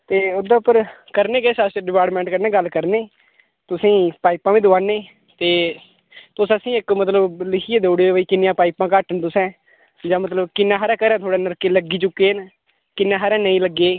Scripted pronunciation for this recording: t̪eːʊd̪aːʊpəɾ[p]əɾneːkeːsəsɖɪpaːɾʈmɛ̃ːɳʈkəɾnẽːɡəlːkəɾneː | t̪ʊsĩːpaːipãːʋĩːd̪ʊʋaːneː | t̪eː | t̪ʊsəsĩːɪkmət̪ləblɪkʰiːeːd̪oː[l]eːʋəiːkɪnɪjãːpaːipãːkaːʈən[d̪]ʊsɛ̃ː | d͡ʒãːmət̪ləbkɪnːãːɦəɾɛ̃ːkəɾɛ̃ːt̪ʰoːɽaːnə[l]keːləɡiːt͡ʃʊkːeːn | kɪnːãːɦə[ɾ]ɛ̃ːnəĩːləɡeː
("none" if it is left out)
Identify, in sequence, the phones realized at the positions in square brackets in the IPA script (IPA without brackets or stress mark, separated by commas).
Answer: k, ɽ, t̪, ɾ, ɾ